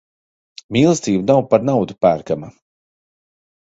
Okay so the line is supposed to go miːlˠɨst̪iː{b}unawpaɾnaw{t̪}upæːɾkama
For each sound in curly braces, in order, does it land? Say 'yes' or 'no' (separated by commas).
yes, no